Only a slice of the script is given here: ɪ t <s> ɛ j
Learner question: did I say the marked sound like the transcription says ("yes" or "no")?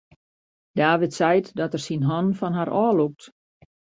yes